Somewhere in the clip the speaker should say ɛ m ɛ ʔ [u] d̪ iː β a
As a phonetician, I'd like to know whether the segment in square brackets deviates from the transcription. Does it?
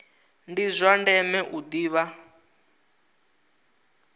no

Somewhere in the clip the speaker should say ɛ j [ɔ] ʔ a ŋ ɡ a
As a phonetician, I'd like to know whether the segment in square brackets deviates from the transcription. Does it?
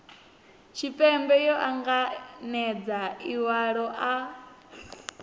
no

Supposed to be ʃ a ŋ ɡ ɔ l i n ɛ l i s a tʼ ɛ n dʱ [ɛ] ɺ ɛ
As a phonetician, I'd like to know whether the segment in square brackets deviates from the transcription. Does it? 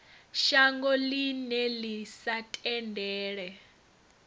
yes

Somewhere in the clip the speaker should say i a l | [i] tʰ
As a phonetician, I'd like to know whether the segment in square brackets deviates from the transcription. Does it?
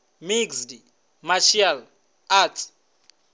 yes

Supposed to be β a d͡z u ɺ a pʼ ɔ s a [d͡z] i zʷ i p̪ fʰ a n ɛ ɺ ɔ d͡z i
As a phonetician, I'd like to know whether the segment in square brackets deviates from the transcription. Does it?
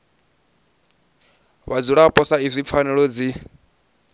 yes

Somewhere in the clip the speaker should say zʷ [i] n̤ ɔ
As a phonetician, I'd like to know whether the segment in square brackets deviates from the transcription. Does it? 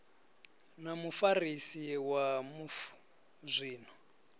yes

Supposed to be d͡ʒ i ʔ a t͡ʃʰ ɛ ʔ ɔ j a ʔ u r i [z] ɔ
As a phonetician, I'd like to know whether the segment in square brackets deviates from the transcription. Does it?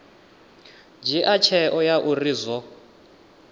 no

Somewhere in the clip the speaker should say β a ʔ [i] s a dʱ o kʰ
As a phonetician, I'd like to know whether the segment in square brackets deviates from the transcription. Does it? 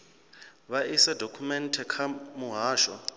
no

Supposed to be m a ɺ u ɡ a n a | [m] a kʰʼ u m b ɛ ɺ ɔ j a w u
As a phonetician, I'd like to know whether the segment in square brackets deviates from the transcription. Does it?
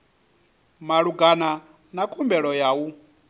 yes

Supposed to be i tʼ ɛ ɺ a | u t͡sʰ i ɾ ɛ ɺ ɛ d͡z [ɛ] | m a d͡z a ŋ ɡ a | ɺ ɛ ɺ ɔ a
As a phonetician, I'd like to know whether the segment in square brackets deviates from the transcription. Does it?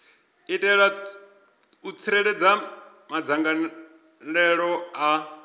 yes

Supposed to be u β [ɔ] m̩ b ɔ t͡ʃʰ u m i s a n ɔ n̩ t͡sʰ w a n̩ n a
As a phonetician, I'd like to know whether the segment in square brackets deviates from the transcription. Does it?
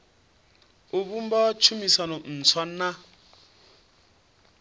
yes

